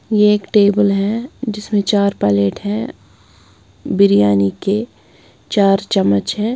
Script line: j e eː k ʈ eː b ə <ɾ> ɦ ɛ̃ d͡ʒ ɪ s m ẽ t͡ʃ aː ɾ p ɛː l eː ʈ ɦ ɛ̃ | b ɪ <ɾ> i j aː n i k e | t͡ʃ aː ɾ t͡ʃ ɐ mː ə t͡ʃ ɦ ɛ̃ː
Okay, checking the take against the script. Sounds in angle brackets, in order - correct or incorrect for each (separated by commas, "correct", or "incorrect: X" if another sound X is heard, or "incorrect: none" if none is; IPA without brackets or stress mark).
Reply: incorrect: l, correct